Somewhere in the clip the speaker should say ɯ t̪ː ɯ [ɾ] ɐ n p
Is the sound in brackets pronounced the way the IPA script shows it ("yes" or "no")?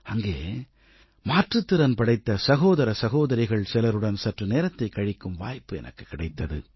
yes